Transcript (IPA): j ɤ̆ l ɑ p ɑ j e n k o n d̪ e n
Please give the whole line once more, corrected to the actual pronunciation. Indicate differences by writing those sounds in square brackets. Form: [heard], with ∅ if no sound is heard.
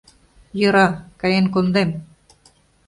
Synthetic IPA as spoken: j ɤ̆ [ɾ] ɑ [k] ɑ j e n k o n d̪ e [m]